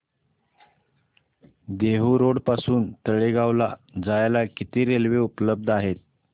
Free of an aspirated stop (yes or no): yes